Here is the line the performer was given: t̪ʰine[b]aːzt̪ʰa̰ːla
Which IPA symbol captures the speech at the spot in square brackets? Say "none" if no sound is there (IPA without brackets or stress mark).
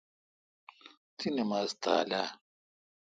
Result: m